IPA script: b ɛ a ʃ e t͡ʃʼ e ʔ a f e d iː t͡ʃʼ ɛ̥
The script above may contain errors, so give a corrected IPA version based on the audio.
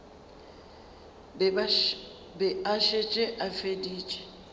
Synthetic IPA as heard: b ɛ a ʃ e t͡ʃʼ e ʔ a f e d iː t͡ʃʼ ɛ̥